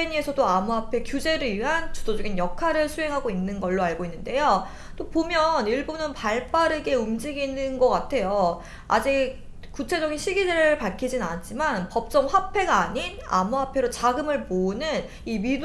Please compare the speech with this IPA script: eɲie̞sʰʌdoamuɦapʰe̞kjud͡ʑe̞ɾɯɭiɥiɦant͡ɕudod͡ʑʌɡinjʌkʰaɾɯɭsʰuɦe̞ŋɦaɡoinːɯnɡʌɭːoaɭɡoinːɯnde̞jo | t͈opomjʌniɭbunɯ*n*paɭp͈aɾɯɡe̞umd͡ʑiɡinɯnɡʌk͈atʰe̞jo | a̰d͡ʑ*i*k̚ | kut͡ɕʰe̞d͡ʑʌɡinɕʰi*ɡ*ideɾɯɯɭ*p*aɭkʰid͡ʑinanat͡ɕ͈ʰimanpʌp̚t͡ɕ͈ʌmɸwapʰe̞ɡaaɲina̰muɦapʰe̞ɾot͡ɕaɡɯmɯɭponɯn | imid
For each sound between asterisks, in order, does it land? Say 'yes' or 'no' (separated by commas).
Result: yes, yes, yes, yes